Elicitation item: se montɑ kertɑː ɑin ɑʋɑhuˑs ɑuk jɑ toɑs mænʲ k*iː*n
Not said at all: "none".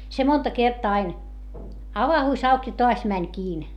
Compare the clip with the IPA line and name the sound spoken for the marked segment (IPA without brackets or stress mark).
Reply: iː